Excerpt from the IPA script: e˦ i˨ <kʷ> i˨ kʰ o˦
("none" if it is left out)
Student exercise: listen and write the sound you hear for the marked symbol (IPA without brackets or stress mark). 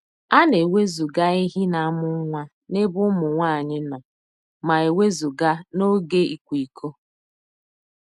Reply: kʷ